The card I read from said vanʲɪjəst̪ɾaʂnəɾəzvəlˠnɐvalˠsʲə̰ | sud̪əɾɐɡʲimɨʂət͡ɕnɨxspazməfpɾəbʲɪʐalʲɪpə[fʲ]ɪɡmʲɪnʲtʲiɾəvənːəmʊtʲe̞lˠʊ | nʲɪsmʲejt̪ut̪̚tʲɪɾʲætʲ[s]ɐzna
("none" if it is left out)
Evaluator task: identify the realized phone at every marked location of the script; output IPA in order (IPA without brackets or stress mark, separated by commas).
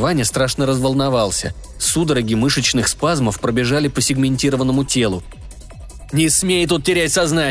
sʲ, s